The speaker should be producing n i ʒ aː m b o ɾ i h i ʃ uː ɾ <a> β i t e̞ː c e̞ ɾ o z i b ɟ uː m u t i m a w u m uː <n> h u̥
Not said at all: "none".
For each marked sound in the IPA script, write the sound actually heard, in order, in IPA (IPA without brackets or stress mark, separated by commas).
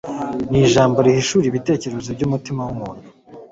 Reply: i, n